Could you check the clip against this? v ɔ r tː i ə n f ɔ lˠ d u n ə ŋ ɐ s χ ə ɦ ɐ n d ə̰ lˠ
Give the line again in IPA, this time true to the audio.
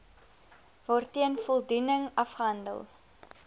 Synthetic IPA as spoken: v ɔ r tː i ə n f ɔ lˠ d u n ə ŋ ɐ f χ ə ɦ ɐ n d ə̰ lˠ